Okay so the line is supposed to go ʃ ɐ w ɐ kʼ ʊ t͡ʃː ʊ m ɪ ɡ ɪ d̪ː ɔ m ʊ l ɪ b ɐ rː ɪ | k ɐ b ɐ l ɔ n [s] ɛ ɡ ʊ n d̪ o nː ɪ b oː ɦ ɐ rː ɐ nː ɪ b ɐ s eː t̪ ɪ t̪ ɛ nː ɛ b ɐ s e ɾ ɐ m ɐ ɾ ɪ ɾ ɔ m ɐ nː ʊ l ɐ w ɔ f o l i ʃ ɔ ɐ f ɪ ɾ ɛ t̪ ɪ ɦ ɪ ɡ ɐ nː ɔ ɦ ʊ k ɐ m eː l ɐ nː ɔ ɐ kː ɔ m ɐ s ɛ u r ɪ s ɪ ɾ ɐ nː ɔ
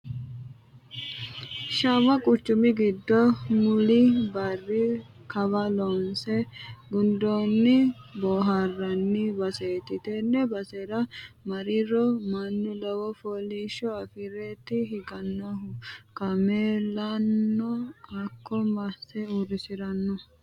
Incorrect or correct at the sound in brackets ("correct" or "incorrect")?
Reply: correct